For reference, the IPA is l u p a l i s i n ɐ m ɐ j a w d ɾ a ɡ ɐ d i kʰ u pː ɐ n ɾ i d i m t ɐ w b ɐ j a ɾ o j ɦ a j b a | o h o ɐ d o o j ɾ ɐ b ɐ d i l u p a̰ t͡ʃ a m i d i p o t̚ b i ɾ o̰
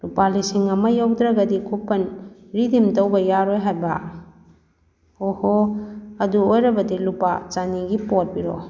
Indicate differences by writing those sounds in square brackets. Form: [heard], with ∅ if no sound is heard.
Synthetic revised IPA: l u p a l i s i [ŋ] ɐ m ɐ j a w d ɾ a ɡ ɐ d i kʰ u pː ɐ n ɾ i d i m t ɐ w b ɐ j a ɾ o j ɦ a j b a | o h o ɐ d [u] o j ɾ ɐ b ɐ d i l u p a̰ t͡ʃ a [n] i [ɡ] i p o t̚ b i ɾ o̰